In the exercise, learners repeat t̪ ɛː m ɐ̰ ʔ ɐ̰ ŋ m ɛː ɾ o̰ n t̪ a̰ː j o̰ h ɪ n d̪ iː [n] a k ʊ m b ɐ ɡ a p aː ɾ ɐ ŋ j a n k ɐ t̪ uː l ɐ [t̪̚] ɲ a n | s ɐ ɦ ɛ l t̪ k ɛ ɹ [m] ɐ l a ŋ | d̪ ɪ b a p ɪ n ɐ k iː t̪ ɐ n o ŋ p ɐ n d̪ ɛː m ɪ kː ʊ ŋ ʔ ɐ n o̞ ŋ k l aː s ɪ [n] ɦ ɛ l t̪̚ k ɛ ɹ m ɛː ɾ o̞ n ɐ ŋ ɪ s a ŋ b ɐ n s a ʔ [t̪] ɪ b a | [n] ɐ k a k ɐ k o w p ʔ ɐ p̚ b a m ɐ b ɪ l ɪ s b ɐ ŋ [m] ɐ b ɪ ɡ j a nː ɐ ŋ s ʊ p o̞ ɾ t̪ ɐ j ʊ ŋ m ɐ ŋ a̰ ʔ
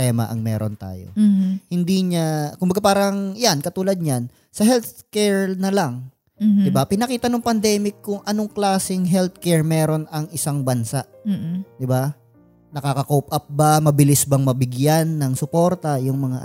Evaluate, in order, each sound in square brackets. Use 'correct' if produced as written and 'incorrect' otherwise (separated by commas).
incorrect, incorrect, incorrect, incorrect, incorrect, correct, correct